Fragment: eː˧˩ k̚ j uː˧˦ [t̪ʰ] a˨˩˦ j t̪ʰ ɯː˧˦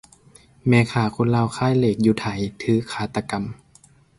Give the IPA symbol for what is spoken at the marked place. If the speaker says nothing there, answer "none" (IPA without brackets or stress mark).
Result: t̪ʰ